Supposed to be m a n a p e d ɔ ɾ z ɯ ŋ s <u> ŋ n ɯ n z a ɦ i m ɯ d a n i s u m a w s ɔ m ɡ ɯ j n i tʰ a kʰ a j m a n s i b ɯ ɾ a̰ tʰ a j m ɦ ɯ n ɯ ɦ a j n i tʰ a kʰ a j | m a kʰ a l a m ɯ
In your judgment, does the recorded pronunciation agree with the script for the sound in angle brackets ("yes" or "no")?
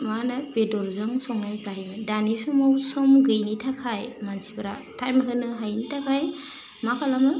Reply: no